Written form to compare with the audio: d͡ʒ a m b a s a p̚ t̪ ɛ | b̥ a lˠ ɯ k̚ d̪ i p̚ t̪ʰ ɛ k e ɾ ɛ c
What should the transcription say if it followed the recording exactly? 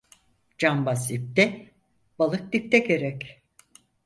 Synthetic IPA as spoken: d͡ʒ a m b a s i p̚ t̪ ɛ | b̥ a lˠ ɯ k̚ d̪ i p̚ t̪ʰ ɛ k e ɾ ɛ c